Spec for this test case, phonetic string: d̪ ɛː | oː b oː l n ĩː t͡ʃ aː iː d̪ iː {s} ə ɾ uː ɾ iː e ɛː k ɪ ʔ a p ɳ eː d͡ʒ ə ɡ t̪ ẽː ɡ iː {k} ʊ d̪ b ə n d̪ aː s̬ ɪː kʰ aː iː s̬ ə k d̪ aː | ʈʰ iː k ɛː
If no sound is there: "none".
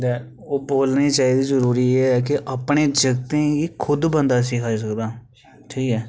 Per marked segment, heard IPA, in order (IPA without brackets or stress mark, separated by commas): z, kʰ